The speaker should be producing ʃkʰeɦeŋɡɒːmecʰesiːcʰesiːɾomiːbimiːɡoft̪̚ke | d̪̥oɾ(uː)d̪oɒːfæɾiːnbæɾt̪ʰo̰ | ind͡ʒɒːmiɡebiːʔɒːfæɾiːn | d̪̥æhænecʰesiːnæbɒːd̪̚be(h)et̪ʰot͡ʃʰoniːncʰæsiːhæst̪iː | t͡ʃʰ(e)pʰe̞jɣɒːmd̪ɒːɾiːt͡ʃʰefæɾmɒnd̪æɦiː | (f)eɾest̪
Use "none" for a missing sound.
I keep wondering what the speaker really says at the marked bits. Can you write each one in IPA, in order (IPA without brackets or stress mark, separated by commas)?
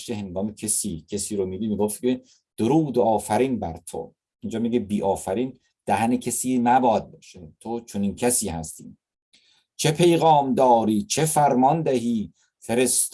uː, ʃ, e, f